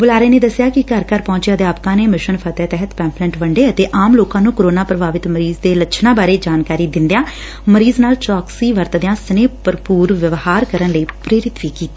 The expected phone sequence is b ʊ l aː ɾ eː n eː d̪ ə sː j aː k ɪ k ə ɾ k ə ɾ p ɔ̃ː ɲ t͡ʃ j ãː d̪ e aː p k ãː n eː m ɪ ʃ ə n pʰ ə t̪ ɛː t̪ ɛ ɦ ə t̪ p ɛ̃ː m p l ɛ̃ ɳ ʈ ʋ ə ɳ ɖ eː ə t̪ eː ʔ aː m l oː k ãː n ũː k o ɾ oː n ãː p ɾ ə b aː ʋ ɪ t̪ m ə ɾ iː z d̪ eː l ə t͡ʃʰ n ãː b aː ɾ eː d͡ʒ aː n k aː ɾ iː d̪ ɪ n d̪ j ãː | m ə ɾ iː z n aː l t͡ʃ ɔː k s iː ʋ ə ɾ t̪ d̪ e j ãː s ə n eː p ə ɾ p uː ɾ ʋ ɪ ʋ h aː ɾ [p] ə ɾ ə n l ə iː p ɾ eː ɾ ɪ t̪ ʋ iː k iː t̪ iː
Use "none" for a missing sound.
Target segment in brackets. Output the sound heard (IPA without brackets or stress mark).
k